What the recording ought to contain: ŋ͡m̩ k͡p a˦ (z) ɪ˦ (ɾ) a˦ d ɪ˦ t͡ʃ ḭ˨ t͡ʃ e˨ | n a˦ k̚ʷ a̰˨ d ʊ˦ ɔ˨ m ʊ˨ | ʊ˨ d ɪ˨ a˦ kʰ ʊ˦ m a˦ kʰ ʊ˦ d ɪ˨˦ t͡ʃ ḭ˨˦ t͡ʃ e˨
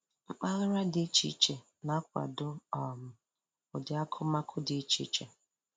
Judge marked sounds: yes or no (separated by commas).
no, yes